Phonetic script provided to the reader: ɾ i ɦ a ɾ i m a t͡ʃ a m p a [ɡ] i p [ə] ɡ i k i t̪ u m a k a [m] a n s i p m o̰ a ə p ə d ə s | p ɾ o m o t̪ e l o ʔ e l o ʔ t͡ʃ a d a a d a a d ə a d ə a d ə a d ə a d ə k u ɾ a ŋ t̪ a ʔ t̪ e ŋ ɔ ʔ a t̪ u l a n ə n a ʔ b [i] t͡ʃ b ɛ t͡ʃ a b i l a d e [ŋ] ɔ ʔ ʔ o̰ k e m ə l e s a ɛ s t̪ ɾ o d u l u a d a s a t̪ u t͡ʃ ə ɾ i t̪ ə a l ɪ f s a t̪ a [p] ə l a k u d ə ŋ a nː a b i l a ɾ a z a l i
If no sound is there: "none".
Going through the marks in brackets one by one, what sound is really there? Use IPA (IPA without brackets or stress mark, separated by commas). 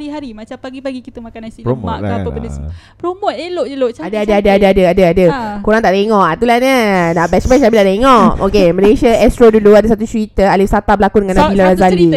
ɡ, a, n, ɛ, ŋ, b